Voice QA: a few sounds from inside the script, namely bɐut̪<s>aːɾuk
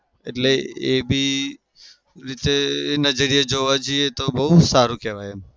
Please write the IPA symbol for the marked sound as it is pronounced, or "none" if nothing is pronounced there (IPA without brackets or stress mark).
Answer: s